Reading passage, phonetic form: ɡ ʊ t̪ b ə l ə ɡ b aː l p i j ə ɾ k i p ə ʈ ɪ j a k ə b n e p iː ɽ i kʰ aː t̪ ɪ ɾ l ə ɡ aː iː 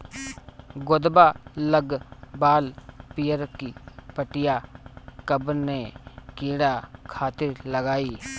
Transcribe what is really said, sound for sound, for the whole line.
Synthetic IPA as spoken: ɡ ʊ d̪ b a l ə ɡ b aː l p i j ə ɾ k i p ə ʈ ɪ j a k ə b n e k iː ɽ a kʰ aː t̪ ɪ ɾ l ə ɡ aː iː